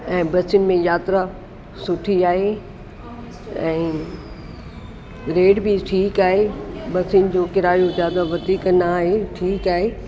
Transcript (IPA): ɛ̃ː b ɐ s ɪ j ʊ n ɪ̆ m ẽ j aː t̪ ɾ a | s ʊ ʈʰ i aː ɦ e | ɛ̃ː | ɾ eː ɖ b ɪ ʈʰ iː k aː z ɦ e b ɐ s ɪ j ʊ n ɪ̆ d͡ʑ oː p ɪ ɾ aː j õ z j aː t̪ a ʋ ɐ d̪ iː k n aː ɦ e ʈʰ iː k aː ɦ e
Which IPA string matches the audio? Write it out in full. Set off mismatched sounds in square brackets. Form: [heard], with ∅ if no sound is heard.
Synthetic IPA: ɛ̃ː b ɐ s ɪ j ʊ n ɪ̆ m ẽ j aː t̪ ɾ a | s ʊ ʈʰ i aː ɦ e | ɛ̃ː | ɾ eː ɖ b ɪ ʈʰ iː k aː [∅] ɦ e b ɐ s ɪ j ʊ n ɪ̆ d͡ʑ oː [k] ɪ ɾ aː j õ z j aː [d̪] a ʋ ɐ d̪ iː k n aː ɦ e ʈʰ iː k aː ɦ e